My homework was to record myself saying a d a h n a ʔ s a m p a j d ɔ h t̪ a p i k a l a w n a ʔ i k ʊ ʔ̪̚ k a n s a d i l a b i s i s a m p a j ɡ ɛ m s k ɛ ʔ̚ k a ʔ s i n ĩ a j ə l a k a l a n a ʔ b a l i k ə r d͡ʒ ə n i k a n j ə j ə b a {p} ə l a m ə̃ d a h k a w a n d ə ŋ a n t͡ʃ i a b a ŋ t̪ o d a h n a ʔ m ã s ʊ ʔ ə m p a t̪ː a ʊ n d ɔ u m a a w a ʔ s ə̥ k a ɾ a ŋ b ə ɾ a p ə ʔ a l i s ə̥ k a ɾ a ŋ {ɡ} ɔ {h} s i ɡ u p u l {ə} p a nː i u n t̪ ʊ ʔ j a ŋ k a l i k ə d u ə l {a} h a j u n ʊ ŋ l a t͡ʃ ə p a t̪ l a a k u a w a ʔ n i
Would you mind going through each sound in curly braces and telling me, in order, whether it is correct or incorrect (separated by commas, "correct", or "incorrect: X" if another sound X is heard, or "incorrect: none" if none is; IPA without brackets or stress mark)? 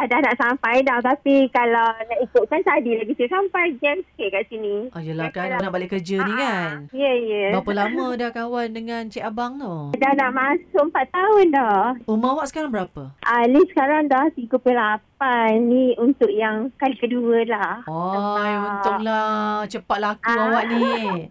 correct, incorrect: d, correct, incorrect: a, correct